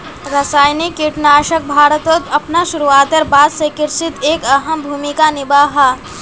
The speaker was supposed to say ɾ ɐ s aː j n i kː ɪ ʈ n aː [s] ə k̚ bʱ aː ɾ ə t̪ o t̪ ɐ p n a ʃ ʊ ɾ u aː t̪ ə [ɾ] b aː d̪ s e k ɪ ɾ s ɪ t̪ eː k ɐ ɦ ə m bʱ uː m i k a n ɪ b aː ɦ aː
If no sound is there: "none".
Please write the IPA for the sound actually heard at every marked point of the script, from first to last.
ʃ, ɾ

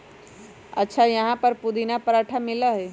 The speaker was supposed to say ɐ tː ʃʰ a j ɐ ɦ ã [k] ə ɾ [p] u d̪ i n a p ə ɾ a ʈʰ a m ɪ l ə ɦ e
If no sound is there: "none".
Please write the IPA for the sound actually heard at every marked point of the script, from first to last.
p, p

